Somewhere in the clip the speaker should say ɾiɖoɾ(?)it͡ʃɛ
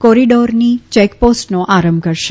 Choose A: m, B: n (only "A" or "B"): B